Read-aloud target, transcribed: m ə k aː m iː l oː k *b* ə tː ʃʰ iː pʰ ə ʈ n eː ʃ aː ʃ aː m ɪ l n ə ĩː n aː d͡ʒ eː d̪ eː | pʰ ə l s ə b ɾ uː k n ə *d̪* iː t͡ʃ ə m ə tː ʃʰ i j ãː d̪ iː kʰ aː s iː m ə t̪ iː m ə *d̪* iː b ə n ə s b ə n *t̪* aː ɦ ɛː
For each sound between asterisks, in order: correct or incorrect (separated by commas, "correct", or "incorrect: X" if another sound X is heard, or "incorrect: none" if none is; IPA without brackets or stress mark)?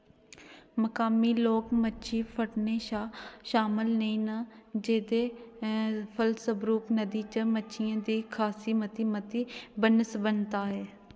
incorrect: m, correct, incorrect: t̪, correct